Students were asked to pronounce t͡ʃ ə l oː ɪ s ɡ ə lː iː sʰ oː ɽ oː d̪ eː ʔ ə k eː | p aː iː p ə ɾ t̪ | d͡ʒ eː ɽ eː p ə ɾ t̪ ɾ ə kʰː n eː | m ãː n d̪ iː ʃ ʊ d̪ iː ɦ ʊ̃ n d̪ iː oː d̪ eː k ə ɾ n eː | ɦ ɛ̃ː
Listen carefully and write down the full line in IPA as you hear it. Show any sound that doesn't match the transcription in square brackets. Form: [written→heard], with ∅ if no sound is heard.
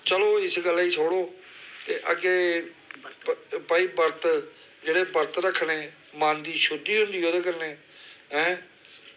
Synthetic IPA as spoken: t͡ʃ ə l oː ɪ s ɡ ə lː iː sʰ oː ɽ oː [d̪→t̪] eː ʔ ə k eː | p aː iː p ə ɾ t̪ | d͡ʒ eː ɽ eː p ə ɾ t̪ ɾ ə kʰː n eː | m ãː n d̪ iː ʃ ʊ d̪ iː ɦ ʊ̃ n d̪ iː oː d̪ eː k ə ɾ n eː | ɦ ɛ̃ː

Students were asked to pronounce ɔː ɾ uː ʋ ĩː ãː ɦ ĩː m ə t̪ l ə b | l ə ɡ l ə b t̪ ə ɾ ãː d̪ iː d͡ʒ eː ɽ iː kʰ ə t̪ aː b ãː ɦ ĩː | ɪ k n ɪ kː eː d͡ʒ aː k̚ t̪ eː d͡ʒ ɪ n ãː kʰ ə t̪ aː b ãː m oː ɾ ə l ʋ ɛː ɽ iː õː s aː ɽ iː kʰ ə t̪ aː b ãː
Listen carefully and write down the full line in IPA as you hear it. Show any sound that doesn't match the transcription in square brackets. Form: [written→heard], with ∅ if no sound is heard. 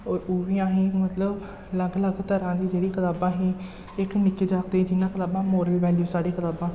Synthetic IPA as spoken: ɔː ɾ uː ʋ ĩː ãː ɦ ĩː m ə t̪ l ə b | l ə ɡ l ə [b→ɡ] t̪ ə ɾ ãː d̪ iː d͡ʒ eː ɽ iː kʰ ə t̪ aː b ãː ɦ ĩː | ɪ k n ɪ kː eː d͡ʒ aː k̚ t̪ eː d͡ʒ ɪ n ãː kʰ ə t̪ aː b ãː m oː ɾ ə l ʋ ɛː [ɽ→l] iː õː s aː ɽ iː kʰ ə t̪ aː b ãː

